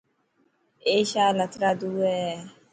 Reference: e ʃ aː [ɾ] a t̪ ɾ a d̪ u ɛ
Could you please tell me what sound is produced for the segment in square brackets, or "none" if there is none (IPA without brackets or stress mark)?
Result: l